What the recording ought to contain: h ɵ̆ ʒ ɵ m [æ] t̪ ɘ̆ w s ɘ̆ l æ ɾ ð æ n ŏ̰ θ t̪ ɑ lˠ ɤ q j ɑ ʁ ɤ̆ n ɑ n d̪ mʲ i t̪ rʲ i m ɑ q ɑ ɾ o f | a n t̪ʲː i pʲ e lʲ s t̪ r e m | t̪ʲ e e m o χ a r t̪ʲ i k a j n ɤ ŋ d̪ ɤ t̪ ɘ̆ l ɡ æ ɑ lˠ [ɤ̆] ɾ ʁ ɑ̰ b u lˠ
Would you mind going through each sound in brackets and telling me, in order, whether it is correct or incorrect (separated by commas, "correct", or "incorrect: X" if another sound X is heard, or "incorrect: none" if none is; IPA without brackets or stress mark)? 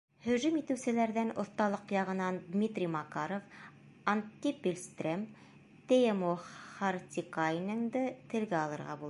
incorrect: i, correct